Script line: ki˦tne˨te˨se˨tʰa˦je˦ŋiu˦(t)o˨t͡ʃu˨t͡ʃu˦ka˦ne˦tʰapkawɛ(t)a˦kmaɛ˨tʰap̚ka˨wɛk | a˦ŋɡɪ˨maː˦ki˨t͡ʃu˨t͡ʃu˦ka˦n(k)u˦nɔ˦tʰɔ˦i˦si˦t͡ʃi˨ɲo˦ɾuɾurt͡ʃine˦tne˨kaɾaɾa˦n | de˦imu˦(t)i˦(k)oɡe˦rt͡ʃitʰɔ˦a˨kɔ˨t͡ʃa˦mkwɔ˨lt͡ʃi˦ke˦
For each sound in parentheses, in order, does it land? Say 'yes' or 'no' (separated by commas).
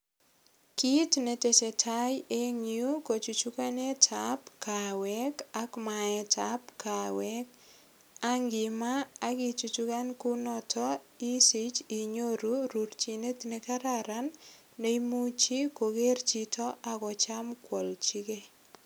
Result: no, no, yes, no, yes